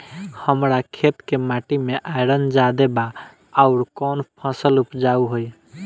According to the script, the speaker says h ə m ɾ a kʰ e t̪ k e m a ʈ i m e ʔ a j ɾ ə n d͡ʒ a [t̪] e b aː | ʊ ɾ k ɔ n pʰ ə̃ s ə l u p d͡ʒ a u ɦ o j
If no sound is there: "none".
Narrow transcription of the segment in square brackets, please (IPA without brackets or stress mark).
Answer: d̪